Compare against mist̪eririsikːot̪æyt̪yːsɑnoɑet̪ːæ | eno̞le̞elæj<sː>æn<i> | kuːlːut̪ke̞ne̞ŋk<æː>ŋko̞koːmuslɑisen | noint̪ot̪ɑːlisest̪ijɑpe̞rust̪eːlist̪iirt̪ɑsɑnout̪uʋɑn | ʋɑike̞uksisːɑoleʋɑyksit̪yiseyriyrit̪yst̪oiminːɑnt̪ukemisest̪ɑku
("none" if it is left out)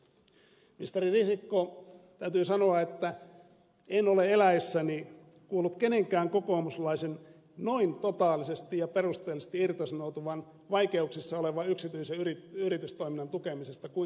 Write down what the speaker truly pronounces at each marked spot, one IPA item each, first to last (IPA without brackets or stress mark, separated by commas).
sː, i, æː